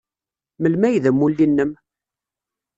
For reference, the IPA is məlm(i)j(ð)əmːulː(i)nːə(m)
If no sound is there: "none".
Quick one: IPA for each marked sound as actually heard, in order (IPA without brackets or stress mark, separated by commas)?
æ, ð, i, m